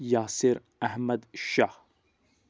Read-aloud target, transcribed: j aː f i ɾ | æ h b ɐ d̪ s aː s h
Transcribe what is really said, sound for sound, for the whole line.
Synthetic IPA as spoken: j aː s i ɾ | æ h m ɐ d̪ ʃ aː h